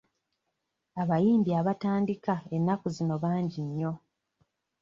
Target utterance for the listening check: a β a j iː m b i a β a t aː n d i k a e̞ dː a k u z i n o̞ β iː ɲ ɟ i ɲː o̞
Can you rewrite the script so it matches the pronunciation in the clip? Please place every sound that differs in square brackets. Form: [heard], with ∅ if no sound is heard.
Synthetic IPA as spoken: a β a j iː m b i a β a t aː n d i k a e̞ [nː] a k u z i n o̞ β [aː] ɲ ɟ i ɲː o̞